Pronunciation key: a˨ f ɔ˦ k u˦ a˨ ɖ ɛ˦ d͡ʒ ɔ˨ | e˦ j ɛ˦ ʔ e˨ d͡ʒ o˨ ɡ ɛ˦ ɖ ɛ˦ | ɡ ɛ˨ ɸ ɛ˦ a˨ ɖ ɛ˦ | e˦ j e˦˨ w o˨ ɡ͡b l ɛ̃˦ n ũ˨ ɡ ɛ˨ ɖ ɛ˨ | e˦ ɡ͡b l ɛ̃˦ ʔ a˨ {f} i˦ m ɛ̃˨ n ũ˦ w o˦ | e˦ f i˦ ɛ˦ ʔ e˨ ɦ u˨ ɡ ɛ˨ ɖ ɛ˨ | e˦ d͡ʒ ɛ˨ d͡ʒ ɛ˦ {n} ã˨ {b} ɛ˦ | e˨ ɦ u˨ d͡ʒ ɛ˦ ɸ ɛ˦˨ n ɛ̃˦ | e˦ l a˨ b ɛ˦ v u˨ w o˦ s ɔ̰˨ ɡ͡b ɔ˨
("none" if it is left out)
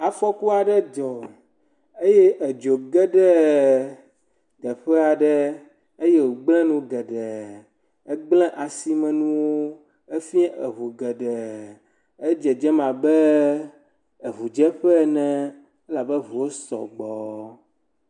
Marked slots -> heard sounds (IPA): s, m, b

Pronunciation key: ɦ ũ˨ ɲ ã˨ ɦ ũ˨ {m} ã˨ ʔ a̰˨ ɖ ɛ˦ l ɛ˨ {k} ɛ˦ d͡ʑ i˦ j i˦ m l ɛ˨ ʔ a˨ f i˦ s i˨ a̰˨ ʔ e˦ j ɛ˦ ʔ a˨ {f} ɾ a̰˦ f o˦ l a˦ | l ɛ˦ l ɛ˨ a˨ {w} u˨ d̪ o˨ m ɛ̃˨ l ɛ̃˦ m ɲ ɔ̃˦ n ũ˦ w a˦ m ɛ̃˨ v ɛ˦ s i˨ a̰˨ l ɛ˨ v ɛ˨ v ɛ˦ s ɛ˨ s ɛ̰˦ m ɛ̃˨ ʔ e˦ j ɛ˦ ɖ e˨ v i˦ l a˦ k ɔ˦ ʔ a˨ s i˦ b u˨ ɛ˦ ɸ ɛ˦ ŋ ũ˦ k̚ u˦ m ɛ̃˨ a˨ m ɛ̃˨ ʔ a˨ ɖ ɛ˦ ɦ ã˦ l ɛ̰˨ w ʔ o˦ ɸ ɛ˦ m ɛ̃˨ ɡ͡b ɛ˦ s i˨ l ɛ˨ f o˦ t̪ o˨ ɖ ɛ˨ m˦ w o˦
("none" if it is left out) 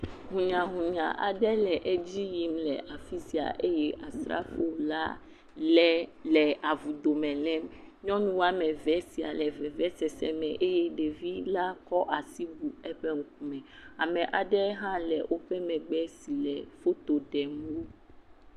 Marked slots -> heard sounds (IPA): ɲ, ʔ, s, v

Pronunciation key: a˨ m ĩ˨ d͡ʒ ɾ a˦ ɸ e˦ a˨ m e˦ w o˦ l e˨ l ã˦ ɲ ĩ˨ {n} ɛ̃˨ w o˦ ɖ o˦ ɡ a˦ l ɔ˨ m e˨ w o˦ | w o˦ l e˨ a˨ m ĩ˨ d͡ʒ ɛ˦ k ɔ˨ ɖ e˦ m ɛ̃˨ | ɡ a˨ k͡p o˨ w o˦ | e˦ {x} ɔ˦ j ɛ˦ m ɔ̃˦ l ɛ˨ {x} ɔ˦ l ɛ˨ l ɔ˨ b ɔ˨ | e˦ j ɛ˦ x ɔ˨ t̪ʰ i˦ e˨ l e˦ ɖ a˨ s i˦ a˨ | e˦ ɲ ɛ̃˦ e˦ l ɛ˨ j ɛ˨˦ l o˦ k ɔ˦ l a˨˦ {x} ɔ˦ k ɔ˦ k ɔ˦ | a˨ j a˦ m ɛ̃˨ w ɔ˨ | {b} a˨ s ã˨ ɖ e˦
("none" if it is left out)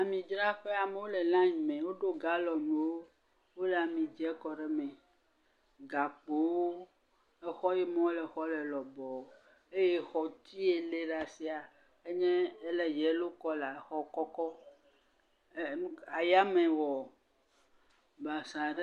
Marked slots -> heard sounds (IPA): m, x, x, x, b

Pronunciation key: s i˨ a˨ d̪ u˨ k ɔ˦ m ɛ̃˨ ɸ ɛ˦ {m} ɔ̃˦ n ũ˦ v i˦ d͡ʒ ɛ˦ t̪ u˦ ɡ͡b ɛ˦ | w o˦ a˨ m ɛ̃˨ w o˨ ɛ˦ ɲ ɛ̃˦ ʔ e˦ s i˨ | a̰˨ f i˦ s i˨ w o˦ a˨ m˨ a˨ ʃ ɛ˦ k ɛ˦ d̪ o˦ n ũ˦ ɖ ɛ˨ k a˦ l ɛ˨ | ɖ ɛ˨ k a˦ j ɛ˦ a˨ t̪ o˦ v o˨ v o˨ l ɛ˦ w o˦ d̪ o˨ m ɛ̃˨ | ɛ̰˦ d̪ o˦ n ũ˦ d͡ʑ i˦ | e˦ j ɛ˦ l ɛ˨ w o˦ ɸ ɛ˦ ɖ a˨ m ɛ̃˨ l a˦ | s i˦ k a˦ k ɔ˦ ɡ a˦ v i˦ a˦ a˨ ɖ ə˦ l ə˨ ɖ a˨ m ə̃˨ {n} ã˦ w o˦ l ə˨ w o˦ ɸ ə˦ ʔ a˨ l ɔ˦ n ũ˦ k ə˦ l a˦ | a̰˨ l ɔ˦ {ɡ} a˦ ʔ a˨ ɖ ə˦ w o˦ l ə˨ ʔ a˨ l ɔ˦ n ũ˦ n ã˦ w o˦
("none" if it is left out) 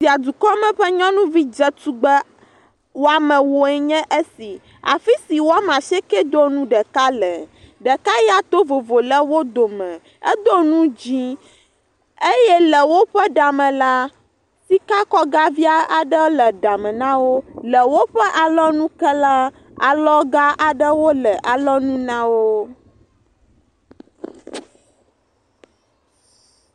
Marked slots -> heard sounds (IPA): ɲ, n, ɡ

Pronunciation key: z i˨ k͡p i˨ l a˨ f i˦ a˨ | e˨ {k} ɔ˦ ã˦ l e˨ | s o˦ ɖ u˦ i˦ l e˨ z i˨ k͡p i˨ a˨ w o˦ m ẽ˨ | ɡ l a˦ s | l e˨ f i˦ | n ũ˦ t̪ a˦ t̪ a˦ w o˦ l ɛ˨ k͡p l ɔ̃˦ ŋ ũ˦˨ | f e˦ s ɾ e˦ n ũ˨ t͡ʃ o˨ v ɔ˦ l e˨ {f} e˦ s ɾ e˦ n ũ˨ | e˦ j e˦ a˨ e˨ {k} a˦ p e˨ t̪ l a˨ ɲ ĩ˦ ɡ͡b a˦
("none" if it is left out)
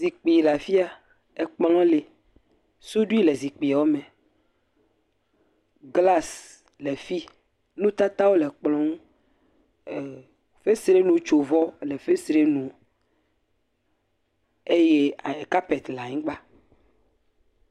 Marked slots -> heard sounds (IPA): k͡p, f, k

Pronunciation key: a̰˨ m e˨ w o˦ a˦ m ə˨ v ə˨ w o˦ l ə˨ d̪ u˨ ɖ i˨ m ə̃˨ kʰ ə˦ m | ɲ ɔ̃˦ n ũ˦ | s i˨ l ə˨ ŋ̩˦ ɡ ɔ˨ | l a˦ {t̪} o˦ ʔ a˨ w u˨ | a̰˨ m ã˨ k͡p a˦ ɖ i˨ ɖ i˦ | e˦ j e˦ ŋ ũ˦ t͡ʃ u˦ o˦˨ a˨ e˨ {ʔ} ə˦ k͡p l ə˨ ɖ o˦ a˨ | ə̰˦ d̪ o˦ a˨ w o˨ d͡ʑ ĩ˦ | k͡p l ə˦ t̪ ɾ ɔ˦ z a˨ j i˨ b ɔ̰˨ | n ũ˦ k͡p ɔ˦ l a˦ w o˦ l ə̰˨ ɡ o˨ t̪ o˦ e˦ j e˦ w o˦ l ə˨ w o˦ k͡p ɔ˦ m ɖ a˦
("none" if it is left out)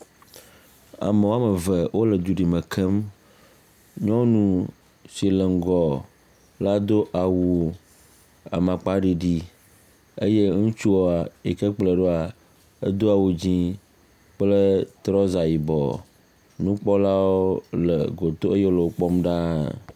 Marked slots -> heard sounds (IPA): d̪, k

